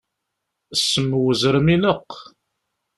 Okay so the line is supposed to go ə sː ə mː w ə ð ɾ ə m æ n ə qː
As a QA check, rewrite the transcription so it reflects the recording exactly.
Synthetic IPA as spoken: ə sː ə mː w ə z ɾ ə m i n ə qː